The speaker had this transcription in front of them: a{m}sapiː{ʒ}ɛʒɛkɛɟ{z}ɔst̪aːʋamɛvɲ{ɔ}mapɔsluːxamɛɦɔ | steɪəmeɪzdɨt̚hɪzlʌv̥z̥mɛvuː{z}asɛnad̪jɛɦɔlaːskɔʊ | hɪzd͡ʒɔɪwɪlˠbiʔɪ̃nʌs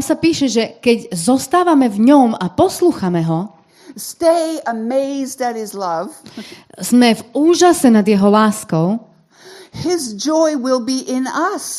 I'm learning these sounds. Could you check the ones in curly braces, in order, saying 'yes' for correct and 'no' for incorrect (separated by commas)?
yes, no, yes, yes, no